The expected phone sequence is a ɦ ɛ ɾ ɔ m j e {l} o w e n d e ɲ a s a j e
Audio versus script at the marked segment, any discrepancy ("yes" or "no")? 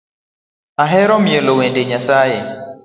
no